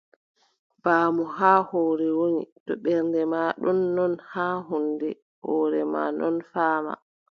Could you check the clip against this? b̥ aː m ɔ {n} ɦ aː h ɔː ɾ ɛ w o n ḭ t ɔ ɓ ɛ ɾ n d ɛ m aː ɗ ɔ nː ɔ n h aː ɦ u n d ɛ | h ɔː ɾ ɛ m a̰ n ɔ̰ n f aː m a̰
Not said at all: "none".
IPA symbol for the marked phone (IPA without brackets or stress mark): none